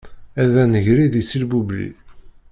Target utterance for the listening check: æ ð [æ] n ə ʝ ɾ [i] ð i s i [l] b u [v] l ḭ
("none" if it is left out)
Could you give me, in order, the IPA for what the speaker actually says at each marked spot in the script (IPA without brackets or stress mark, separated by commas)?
æ, i, l, b